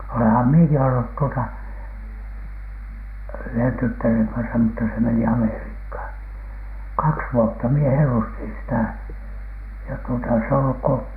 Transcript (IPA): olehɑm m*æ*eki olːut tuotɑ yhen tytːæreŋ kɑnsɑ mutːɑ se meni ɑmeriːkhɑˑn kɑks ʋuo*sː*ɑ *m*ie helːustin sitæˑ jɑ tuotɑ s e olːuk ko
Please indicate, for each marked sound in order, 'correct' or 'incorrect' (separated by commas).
incorrect, incorrect, correct